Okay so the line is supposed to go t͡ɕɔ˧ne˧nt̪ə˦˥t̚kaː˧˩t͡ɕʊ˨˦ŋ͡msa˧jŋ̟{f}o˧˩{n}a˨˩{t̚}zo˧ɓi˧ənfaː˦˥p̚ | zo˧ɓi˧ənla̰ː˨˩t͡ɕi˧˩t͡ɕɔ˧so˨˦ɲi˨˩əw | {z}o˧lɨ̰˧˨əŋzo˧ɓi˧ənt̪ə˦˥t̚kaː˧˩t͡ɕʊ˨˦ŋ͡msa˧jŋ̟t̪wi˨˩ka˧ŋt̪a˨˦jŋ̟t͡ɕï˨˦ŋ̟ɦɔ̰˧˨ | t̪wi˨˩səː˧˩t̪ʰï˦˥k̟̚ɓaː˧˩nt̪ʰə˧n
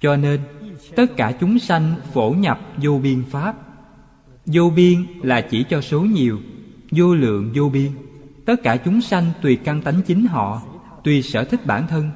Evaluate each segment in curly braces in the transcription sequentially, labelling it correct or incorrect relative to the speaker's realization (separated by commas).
correct, incorrect, incorrect, correct